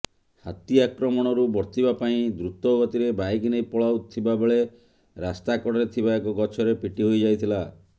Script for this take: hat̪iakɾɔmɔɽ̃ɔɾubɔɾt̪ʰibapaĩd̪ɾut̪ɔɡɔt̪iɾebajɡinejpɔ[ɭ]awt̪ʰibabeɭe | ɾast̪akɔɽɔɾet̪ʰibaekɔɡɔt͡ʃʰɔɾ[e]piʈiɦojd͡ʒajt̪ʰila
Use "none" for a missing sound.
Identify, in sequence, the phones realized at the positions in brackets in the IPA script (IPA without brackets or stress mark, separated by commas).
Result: ɭ, e